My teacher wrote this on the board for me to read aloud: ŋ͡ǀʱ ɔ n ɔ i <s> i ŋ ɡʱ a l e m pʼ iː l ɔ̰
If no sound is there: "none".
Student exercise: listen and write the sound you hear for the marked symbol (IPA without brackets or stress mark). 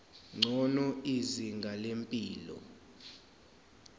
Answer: z